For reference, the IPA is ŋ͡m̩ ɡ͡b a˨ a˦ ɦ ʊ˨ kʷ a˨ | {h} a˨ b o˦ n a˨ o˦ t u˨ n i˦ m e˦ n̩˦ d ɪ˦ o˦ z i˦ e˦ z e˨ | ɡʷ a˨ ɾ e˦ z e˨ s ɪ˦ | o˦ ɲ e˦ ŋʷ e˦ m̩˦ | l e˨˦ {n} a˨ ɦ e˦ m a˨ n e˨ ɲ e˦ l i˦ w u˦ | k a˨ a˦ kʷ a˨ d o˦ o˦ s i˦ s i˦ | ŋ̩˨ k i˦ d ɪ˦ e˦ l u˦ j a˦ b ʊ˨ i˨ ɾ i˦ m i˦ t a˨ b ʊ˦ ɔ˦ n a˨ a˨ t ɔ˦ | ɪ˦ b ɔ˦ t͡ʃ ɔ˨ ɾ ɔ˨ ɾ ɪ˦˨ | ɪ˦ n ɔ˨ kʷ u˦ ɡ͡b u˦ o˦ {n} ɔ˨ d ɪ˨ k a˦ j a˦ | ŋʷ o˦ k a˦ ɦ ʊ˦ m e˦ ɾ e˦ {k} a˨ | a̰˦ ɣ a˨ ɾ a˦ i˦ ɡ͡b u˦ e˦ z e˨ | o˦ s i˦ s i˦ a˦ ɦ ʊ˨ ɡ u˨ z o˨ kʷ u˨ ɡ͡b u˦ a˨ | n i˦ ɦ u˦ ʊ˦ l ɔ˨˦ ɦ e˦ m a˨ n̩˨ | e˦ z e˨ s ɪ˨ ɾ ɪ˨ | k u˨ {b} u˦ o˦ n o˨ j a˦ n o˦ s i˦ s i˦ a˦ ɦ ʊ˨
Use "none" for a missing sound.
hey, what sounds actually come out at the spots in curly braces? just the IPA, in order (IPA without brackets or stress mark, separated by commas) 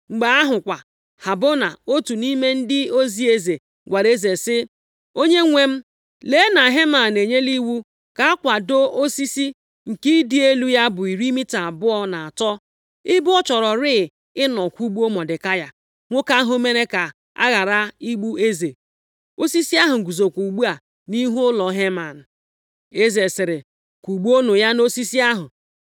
h, n, m, k, ɡ͡b